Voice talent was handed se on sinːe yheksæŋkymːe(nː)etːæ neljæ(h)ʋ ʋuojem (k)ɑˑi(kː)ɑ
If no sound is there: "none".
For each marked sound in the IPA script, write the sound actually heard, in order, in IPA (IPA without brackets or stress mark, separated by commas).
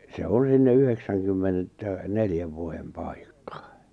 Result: n, none, p, kː